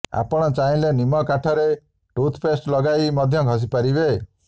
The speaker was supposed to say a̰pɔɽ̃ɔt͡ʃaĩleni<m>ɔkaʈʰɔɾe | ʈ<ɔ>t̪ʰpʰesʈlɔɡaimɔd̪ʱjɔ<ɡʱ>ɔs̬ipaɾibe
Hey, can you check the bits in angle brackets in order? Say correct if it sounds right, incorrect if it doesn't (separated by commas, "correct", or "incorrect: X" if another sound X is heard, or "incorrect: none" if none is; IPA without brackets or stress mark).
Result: correct, incorrect: u, correct